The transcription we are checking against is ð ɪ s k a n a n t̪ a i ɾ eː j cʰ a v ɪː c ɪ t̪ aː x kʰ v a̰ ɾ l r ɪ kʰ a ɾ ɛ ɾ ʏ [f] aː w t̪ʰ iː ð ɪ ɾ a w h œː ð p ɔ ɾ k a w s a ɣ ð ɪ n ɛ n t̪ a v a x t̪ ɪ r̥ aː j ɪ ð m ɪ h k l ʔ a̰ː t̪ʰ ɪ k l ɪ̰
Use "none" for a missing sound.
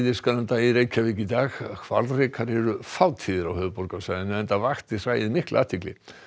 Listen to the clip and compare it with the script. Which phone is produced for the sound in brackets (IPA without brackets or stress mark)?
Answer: f